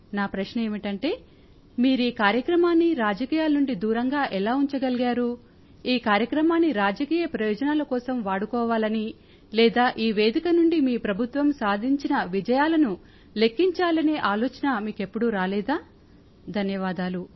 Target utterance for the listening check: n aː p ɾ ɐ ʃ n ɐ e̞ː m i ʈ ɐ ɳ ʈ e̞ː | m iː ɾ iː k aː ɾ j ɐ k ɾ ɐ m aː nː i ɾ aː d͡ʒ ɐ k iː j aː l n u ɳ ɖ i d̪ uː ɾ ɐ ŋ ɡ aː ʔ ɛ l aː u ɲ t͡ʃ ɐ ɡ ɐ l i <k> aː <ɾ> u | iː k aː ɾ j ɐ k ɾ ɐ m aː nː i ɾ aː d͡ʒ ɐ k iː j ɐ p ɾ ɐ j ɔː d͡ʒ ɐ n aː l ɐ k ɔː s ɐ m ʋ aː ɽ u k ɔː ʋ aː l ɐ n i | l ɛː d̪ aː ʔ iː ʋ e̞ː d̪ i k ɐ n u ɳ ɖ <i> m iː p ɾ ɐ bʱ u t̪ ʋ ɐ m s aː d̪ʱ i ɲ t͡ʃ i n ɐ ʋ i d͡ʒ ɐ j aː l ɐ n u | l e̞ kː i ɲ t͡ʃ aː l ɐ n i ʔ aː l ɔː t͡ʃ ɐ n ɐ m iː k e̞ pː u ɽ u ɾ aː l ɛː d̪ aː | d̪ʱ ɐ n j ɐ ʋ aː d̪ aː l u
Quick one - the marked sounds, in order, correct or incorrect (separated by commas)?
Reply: incorrect, correct, correct